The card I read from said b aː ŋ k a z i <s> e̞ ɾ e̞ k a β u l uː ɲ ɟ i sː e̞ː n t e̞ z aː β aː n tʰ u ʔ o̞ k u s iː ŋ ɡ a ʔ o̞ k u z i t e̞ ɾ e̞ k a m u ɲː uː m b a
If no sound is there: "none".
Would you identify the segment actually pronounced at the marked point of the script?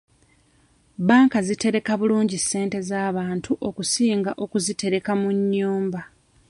t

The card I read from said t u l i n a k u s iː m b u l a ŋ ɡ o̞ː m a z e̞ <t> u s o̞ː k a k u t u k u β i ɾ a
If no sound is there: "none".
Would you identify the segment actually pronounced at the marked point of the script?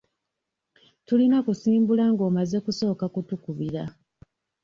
k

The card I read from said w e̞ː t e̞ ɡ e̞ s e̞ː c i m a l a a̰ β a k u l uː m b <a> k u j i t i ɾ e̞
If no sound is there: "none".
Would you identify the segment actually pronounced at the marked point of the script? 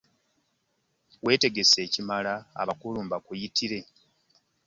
a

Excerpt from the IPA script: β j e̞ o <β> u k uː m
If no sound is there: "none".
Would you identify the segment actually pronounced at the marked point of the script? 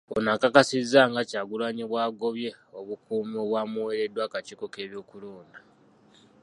β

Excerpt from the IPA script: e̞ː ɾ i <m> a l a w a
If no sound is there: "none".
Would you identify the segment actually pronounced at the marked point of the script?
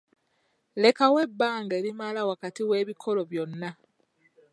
m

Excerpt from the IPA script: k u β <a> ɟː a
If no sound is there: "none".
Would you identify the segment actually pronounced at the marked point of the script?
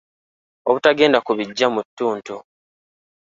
i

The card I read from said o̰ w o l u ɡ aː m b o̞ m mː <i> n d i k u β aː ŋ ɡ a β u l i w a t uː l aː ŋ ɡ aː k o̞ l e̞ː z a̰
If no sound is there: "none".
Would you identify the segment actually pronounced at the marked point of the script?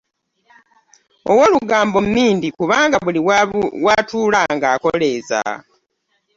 iː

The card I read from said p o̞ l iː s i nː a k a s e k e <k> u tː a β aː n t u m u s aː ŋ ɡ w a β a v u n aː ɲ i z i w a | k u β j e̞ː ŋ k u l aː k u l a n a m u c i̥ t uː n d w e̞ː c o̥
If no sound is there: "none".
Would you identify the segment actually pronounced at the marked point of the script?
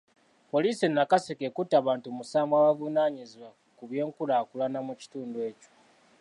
k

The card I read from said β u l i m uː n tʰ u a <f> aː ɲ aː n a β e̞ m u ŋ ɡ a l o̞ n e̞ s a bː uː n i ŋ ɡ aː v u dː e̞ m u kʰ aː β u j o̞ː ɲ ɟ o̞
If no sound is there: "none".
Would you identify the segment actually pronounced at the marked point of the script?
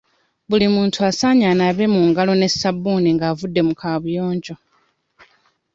s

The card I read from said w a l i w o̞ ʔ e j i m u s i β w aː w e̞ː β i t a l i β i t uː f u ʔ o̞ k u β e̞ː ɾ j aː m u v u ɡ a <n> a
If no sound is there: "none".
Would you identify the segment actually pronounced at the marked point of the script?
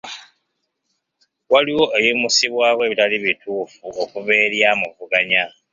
ɲ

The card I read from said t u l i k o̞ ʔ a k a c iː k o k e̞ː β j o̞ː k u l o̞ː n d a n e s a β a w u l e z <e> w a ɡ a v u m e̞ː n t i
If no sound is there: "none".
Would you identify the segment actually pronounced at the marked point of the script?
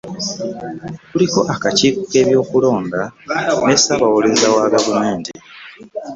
a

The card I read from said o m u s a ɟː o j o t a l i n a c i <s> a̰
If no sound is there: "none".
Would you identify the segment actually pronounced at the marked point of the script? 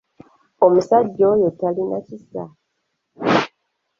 s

